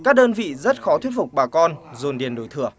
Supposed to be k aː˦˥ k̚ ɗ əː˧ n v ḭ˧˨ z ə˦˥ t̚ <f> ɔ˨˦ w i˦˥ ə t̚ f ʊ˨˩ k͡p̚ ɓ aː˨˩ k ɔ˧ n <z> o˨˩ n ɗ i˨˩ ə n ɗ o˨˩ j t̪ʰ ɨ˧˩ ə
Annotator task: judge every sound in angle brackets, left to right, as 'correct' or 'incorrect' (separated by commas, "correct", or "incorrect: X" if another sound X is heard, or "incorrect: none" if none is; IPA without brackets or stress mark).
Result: incorrect: x, correct